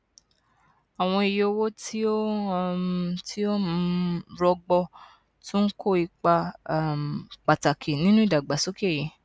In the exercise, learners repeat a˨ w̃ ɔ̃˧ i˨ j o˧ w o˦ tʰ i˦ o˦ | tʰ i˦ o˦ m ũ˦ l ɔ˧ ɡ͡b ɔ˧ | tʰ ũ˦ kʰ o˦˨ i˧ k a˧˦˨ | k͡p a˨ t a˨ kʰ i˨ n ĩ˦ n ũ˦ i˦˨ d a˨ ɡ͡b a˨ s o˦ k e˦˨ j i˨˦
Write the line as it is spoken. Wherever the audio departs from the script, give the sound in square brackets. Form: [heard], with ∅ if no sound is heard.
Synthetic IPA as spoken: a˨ w̃ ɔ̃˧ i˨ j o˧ w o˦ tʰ i˦ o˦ | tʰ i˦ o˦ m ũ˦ [ɾ] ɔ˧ ɡ͡b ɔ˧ | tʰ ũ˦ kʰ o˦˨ i˧ [k͡p] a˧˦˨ | k͡p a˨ t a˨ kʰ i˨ n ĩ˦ n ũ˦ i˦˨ d a˨ ɡ͡b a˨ s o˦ k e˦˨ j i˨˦